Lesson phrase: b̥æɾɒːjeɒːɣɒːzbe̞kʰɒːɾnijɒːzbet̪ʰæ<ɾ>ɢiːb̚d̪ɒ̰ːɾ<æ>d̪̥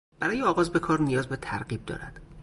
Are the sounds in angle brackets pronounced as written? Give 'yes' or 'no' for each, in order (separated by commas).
yes, yes